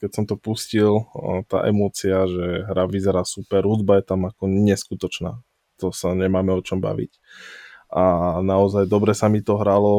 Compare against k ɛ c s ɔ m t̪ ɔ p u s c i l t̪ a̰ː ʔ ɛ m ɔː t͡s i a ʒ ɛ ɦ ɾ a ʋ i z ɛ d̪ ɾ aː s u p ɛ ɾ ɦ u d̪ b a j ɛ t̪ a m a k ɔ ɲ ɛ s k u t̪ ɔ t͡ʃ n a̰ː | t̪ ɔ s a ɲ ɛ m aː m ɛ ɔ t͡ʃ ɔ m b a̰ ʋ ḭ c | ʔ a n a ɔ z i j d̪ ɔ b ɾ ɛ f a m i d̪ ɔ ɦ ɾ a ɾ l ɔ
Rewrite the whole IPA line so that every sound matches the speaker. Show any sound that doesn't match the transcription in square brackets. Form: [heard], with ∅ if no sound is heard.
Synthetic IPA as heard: k ɛ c s ɔ m t̪ ɔ p u s c i l t̪ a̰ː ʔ ɛ m ɔː t͡s i a ʒ ɛ ɦ ɾ a ʋ i z ɛ [∅] ɾ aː s u p ɛ ɾ ɦ u d̪ b a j ɛ t̪ a m a k ɔ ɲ ɛ s k u t̪ ɔ t͡ʃ n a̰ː | t̪ ɔ s a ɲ ɛ m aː m ɛ ɔ t͡ʃ ɔ m b a̰ ʋ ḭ c | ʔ a n a ɔ z [a] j d̪ ɔ b ɾ ɛ [s] a m i [t̪] ɔ ɦ ɾ a [∅] l ɔ